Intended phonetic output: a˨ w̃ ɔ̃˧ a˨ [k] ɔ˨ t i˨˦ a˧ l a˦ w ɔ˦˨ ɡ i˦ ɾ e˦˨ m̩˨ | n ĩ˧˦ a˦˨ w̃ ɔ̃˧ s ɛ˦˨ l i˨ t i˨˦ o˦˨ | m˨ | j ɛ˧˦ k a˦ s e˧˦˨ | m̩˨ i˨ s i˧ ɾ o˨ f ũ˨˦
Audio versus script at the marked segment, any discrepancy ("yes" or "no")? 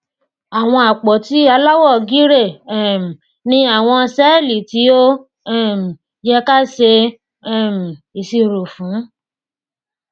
yes